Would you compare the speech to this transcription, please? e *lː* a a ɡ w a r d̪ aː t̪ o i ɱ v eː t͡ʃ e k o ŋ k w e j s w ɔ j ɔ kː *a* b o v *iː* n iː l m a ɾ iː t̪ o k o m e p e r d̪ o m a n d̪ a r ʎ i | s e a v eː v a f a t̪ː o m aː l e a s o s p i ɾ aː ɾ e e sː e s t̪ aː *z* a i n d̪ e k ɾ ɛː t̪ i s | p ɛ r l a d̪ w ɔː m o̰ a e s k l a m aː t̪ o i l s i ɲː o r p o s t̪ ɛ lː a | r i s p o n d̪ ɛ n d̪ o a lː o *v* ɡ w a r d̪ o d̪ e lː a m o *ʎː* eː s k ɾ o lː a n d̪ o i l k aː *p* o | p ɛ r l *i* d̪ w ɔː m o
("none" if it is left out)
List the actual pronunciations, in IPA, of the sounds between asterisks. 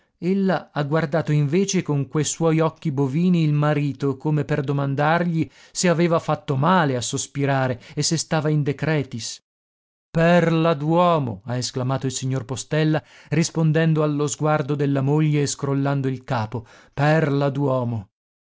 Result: lː, i, iː, v, z, ʎː, p, a

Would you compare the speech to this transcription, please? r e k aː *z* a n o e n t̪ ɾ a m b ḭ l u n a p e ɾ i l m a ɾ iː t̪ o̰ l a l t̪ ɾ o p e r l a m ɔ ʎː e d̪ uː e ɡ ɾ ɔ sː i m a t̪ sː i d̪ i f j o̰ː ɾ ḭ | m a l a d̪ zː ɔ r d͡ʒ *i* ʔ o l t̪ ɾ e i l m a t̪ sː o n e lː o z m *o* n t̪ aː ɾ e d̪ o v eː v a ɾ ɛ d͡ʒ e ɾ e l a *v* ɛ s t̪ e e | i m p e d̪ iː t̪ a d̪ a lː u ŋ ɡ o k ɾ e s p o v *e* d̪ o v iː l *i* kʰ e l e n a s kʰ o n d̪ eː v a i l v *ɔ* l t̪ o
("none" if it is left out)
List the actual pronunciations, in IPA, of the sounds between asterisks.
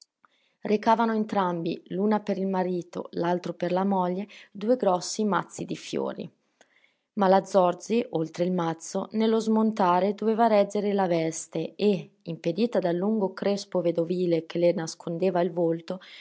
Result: v, i, o, v, e, e, o

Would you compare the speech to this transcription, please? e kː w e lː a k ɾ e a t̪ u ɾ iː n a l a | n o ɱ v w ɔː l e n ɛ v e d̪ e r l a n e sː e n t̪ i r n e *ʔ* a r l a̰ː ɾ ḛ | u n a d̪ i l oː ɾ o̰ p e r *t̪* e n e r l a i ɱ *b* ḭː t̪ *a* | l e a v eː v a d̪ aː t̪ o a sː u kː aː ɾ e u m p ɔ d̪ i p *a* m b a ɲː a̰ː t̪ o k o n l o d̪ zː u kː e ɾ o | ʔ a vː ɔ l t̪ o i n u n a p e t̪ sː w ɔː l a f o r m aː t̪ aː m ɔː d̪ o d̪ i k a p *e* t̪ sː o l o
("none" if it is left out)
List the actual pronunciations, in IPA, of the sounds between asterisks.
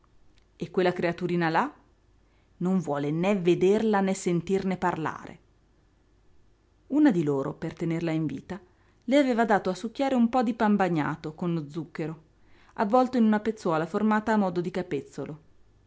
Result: p, t̪, v, a, a, e

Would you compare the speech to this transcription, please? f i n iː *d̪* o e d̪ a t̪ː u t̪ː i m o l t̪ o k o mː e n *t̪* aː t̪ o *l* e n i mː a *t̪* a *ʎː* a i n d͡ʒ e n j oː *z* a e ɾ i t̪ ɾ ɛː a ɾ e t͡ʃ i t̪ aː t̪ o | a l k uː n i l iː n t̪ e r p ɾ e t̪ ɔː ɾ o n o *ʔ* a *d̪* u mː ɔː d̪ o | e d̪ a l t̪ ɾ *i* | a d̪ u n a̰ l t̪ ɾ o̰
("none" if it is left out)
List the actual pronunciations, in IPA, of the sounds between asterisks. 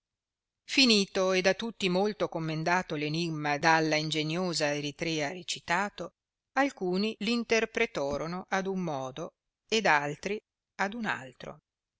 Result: t̪, d̪, l, d̪, lː, z, ʔ, d̪, i

